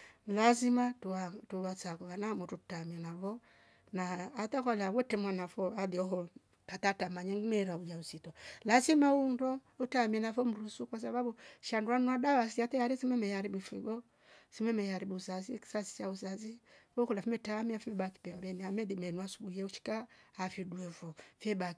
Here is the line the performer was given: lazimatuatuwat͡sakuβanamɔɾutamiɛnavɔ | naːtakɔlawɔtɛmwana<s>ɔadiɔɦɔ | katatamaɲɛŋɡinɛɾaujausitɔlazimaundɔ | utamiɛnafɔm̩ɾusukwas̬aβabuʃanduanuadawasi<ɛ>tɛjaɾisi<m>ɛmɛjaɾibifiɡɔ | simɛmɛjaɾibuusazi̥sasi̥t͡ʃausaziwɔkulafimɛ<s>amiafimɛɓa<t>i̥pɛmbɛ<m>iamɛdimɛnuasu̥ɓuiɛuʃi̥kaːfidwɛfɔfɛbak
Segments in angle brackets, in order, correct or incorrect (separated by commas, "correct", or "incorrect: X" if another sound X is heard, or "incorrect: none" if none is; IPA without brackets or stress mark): incorrect: f, incorrect: a, correct, incorrect: t, incorrect: k, incorrect: n